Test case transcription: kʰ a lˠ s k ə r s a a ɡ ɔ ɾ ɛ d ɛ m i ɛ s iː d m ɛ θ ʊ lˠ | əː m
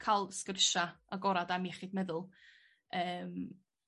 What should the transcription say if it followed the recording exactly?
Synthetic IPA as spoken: kʰ a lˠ s k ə r ʃ a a ɡ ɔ ɾ a d a m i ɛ χ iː d m ɛ ð ʊ lˠ | əː m